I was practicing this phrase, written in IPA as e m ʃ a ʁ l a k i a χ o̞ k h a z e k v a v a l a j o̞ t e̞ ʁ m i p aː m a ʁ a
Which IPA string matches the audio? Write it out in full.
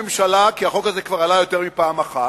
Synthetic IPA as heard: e m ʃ a l a k i a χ o̞ k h a z e k v a ʁ a l a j o̞ t e̞ ʁ m i p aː m a χ a